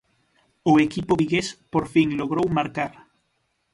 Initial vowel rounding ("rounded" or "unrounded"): rounded